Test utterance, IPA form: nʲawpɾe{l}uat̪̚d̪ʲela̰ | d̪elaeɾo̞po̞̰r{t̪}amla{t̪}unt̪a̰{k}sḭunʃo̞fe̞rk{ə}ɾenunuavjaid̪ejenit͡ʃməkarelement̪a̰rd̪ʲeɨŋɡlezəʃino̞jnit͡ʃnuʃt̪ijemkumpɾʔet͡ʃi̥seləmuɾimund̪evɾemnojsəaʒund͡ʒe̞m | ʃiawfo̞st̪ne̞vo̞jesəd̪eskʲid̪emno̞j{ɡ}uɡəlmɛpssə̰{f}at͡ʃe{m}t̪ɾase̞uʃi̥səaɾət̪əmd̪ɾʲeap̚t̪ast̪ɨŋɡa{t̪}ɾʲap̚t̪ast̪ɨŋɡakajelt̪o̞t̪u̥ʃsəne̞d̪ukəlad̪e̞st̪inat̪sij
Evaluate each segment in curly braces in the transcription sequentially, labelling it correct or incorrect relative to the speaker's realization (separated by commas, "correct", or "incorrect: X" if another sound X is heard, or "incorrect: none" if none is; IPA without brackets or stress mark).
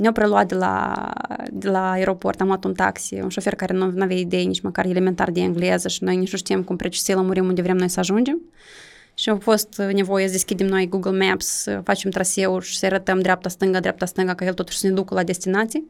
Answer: correct, correct, correct, correct, incorrect: a, correct, correct, correct, incorrect: d̪